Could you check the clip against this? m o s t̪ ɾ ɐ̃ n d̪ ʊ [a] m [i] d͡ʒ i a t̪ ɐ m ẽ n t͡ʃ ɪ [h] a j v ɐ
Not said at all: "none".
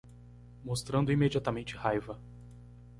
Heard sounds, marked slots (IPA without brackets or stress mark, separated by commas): i, e, h